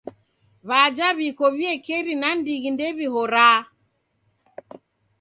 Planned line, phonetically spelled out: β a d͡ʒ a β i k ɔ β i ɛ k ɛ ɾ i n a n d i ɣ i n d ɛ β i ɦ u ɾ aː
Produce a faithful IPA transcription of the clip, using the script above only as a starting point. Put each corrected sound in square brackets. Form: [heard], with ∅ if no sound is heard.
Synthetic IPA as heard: β a d͡ʒ a β i k ɔ β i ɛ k ɛ ɾ i n a n d i ɣ i n d ɛ β i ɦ [ɔ] ɾ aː